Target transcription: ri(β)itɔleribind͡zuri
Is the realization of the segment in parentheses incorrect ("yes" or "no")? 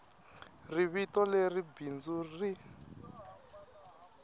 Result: no